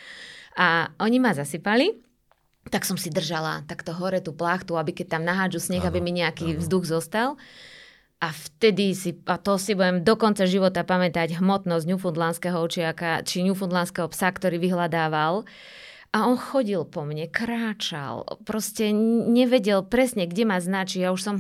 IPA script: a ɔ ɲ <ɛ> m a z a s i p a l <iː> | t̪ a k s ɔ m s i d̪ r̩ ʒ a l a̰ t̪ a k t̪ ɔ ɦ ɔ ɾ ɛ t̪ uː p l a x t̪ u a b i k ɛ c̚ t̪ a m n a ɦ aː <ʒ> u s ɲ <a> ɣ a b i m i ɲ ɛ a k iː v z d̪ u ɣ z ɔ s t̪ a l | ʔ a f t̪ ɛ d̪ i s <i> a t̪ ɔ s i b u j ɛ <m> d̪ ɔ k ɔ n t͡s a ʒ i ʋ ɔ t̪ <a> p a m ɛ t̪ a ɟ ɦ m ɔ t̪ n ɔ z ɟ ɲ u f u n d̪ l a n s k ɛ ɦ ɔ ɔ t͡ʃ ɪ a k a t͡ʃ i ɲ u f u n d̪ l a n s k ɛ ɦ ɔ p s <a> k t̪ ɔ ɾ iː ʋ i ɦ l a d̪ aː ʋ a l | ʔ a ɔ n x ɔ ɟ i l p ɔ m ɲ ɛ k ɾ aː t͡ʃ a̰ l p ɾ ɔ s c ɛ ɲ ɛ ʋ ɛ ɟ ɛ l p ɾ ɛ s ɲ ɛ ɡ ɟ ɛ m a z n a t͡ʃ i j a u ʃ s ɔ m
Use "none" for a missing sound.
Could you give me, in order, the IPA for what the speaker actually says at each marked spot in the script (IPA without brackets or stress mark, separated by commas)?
i, i, d͡ʒ, ɛ, i, m, a, a